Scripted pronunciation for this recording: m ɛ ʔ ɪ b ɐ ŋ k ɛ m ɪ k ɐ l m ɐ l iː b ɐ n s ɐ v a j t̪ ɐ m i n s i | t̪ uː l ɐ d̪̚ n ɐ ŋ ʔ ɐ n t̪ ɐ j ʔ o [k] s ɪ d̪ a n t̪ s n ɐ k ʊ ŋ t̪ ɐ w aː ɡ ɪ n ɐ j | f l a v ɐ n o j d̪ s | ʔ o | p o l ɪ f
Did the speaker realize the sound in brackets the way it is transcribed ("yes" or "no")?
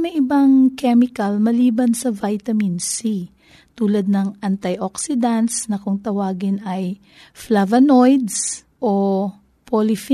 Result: yes